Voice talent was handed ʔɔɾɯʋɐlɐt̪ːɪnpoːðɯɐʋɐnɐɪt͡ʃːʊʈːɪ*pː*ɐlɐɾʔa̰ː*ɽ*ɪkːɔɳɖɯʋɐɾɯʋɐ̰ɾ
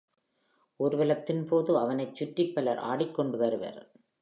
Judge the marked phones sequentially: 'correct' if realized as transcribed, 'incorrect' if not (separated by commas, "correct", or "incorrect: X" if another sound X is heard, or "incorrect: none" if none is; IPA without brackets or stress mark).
correct, correct